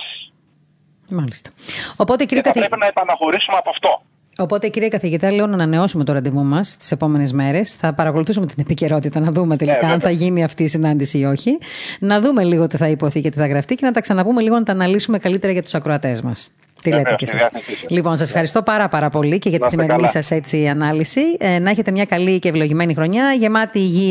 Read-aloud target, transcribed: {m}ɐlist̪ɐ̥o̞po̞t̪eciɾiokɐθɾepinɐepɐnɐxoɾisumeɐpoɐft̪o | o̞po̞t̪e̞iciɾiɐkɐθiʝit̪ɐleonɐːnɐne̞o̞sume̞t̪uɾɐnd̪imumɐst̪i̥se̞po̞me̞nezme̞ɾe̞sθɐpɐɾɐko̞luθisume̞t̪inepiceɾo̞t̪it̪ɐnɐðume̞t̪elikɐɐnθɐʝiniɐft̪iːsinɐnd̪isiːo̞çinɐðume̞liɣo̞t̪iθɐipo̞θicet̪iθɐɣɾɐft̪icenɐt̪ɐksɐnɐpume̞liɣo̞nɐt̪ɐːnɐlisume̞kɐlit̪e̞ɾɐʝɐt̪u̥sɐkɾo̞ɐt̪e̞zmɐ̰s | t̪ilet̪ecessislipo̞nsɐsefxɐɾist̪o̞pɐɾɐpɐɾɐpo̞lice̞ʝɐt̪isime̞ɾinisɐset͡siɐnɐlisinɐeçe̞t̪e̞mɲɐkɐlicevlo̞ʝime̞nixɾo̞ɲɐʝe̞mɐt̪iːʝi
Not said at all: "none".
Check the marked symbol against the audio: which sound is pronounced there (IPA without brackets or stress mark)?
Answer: m